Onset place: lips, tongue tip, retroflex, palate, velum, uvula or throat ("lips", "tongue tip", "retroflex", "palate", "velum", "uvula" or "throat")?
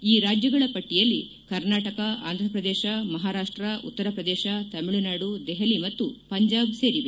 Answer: tongue tip